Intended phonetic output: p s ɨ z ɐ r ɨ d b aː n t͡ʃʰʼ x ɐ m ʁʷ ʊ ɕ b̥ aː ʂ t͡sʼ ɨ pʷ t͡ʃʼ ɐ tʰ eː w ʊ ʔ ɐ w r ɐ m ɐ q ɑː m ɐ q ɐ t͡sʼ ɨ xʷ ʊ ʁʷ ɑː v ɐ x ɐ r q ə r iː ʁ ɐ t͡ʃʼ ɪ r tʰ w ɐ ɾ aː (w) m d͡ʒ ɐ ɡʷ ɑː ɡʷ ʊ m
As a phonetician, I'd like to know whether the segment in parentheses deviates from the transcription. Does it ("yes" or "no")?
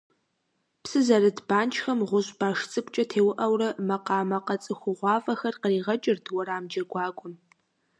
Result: yes